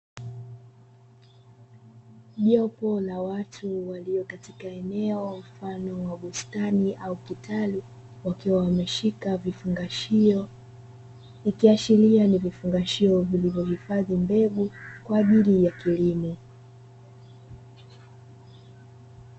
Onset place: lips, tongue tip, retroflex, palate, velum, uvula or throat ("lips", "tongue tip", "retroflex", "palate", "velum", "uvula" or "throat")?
palate